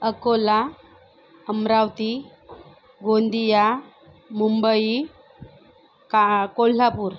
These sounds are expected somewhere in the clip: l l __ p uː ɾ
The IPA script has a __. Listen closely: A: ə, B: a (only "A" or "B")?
B